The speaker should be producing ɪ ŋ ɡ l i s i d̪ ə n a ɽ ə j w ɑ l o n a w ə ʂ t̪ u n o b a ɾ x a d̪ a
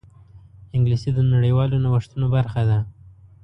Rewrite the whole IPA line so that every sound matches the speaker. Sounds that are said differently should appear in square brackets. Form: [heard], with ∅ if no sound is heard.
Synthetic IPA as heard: ɪ ŋ ɡ l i s i d̪ ə n a ɽ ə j w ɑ l o n a w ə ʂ t̪ u n o b a ɾ x a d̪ a